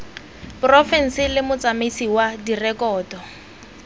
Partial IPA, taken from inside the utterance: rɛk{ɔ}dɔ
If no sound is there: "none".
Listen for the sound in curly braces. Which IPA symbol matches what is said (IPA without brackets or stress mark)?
ɔː